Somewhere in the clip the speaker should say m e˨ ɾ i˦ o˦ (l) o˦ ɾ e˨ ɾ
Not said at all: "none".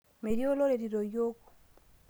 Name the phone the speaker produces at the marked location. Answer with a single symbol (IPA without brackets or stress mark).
l